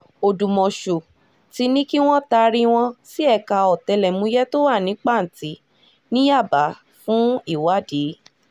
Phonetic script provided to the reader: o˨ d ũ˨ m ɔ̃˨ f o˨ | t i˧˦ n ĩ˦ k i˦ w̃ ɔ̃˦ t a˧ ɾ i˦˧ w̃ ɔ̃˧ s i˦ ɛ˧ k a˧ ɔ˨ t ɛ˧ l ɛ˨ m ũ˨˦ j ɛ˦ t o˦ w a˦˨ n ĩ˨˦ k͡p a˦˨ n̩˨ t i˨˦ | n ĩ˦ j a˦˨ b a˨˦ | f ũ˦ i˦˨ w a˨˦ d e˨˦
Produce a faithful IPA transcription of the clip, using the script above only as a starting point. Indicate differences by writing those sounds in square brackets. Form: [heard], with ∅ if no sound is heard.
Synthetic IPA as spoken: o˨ d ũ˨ m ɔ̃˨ [ʃ] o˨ | t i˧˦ n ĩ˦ k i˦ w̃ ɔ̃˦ t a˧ ɾ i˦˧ w̃ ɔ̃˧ s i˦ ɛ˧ k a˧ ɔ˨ t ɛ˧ l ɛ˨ m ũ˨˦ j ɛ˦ t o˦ w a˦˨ n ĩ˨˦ k͡p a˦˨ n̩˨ t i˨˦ | n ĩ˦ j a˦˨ b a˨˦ | f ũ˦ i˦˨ w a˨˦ d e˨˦